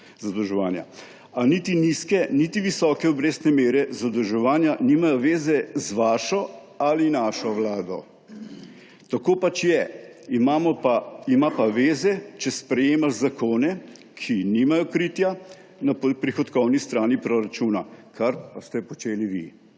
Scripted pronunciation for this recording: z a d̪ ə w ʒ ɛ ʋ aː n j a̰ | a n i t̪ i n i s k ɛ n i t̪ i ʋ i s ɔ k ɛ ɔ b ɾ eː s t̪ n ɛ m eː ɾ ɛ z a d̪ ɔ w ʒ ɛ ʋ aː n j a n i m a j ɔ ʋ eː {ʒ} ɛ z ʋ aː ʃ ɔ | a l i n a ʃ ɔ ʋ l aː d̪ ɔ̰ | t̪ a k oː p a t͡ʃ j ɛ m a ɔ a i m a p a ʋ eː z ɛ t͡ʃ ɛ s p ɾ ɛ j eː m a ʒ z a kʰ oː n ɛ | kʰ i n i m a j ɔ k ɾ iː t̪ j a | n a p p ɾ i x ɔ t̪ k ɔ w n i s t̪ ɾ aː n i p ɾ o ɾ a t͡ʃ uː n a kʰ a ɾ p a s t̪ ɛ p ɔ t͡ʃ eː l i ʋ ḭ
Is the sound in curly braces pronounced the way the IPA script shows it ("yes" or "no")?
no